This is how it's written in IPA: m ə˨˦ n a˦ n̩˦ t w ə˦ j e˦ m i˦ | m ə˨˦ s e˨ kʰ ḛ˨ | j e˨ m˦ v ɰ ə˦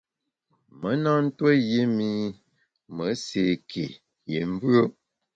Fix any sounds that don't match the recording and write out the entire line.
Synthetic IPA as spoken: m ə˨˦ n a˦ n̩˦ t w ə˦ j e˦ m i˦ | m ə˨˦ s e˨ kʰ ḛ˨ | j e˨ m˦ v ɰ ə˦